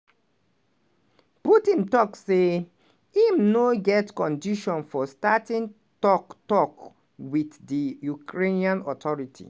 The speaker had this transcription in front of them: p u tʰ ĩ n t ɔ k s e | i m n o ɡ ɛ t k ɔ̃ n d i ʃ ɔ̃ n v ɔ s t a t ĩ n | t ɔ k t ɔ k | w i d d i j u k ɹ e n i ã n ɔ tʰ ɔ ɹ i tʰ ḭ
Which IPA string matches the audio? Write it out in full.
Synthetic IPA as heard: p u t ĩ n t ɔ k s e | i m n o ɡ ɛ t k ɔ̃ n d i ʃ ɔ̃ n f ɔ s t a t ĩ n | t ɔ k t ɔ k | w i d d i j u k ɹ e n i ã n ɔ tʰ ɔ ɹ i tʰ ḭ